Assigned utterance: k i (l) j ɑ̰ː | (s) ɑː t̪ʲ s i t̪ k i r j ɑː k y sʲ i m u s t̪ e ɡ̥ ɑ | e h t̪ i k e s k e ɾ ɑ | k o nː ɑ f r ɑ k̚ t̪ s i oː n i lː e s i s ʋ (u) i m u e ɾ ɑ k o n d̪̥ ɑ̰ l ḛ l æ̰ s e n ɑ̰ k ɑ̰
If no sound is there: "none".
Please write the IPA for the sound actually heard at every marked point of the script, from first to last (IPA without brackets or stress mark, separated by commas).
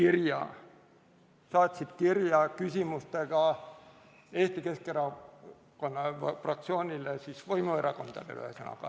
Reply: r, s, o